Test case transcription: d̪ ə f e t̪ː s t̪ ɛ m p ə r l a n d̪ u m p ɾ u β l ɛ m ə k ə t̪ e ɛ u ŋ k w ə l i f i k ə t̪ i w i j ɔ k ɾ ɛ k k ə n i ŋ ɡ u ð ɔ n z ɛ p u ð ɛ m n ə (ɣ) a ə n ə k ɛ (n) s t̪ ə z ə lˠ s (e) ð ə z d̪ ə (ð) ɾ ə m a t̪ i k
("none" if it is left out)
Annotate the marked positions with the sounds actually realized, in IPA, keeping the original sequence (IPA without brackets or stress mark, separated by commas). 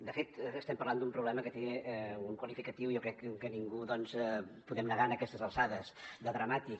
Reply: ɣ, none, a, ð